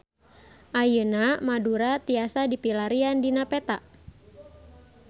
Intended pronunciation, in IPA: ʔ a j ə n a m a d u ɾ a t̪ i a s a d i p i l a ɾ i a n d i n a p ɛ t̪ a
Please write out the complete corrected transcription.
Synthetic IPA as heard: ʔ a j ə n a m a d u ɾ a t̪ i a s a d i p i l a ɾ i a n d i n a p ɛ t̪ a